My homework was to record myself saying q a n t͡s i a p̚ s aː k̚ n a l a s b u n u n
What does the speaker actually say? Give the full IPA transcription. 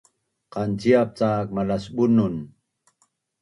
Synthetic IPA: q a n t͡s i a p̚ t͡s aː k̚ m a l a s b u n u n